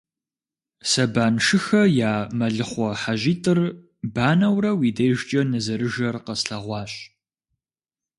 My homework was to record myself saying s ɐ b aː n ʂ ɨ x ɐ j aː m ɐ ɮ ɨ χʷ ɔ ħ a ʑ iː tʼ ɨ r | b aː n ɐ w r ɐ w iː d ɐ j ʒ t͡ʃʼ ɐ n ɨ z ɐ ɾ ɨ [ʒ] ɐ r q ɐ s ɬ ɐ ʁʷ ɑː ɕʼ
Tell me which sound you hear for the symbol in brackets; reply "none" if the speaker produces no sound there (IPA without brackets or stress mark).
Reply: ʒ